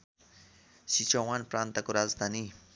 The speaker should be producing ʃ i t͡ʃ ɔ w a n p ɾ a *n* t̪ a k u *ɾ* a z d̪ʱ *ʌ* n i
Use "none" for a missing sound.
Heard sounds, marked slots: n, ɾ, a

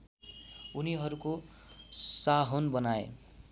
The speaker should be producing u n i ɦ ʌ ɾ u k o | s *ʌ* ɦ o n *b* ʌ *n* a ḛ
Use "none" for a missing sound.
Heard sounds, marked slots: a, b, n

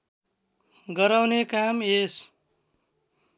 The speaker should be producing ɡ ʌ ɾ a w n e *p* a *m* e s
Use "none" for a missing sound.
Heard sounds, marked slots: k, m

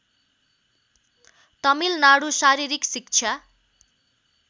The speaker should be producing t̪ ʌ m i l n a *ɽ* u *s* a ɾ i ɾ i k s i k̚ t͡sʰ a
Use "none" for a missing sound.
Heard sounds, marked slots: ɽ, s

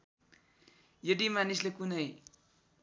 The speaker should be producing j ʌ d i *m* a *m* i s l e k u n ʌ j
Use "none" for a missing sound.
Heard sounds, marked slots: m, n

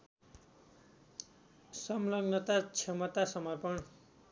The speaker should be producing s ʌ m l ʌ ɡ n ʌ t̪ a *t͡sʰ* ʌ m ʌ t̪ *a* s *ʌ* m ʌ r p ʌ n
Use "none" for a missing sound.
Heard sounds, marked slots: t͡sʰ, a, ʌ

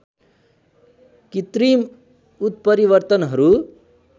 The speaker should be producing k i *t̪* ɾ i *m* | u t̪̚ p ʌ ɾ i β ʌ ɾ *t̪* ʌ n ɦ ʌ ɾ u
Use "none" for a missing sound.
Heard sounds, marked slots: t̪, m, t̪

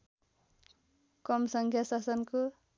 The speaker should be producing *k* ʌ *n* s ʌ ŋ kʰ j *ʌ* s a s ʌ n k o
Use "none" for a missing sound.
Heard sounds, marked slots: k, m, a

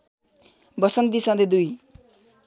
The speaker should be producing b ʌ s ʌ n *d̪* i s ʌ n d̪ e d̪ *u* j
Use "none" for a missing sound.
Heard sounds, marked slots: d̪, u

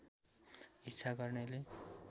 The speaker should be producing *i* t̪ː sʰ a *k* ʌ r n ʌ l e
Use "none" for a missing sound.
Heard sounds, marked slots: i, ɡ

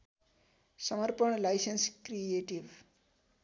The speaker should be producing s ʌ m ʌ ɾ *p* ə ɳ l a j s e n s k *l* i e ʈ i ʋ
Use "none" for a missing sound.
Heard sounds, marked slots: p, ɾ

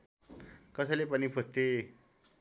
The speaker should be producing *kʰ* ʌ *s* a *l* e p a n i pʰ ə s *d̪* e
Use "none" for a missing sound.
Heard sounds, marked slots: k, s, l, t̪

